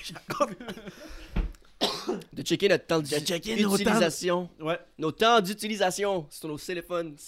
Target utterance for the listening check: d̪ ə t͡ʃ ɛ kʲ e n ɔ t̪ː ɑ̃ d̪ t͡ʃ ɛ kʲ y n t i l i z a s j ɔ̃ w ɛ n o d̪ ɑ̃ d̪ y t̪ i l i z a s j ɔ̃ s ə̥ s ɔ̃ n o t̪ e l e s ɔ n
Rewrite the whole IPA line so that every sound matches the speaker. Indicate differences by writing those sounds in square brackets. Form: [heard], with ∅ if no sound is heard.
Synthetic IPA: d̪ ə t͡ʃ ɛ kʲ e n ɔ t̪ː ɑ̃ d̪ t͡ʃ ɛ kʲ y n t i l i z a s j ɔ̃ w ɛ n o [t̪] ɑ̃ d̪ y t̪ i l i z a s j ɔ̃ s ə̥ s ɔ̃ n o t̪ e l e [f] ɔ n